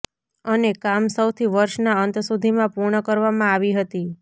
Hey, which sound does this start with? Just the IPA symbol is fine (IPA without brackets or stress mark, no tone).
ə